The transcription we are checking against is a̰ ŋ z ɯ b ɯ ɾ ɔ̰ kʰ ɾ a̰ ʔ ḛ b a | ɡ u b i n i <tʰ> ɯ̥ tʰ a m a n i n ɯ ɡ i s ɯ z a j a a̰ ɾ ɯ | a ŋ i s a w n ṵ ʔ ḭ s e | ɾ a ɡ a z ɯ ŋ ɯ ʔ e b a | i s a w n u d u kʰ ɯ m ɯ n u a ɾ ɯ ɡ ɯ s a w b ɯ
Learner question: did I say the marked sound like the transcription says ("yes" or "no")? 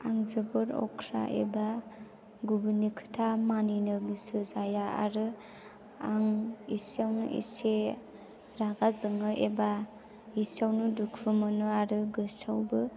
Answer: no